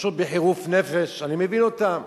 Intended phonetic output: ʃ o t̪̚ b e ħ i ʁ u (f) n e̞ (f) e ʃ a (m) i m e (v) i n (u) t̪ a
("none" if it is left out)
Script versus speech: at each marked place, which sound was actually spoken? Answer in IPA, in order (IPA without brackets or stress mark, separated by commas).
f, f, n, v, o